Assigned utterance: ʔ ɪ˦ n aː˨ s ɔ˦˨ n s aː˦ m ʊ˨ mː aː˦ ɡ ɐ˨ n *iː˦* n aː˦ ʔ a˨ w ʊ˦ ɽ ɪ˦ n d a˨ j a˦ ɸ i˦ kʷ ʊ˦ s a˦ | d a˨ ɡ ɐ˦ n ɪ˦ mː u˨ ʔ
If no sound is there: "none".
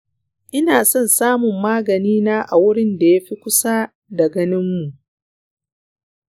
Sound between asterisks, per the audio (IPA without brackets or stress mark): iː˦